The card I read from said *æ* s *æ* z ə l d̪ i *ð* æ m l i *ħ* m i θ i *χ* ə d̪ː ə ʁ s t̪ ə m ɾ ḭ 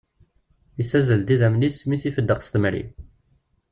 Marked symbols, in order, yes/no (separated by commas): no, yes, yes, no, no